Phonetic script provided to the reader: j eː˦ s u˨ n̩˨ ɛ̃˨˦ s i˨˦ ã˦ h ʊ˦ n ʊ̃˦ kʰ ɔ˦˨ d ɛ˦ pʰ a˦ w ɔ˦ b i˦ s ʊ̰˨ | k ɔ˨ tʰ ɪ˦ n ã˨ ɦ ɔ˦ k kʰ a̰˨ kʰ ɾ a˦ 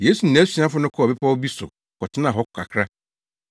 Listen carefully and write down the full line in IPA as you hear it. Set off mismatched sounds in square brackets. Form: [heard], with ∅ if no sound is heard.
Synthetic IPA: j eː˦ s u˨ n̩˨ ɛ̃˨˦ s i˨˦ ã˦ [f] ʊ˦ n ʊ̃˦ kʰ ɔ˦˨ [b] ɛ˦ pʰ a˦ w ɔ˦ b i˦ s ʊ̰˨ | k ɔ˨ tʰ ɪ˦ n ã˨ ɦ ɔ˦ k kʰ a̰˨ kʰ ɾ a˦